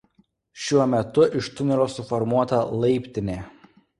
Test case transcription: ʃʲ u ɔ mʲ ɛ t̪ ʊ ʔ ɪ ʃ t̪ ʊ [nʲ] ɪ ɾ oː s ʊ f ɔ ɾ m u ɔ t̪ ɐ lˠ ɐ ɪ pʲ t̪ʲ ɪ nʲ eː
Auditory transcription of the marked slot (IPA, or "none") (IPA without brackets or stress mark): nʲ